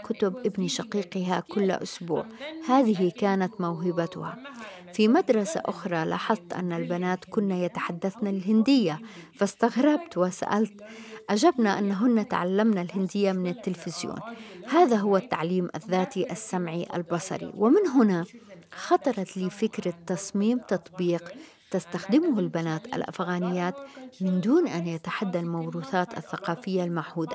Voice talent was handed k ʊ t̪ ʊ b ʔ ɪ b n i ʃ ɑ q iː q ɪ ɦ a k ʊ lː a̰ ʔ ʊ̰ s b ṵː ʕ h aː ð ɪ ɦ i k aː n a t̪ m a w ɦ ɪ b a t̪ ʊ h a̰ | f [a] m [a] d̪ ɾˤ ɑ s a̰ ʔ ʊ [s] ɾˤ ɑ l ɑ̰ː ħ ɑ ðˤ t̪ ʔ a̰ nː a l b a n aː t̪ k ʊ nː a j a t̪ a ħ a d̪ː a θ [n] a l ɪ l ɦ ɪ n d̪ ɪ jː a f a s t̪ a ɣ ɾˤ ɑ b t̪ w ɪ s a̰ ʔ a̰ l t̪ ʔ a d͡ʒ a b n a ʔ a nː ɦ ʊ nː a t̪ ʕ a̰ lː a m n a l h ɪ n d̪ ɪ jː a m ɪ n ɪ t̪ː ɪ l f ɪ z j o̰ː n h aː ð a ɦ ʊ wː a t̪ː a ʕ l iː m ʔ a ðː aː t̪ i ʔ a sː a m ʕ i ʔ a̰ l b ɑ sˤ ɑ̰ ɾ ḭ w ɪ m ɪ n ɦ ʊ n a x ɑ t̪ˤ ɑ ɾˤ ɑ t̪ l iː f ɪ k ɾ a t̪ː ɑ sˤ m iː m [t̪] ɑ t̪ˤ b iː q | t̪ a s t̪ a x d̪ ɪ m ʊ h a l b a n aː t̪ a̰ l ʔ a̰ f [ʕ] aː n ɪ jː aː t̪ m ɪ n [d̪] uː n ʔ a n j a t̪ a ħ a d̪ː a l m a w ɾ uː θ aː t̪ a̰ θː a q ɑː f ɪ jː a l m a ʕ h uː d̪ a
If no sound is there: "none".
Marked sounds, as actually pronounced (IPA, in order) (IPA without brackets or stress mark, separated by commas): i, a, x, n, t̪, ɣ, d̪